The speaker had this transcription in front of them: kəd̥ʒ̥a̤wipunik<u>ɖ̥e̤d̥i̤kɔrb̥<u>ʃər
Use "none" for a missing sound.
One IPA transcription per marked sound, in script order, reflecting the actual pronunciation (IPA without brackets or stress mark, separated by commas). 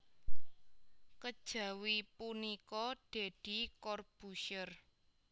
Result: ɔ, u